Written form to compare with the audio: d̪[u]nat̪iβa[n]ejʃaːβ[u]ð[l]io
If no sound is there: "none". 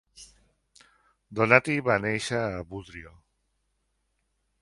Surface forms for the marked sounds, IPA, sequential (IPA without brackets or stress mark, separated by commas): o, n, u, ɾ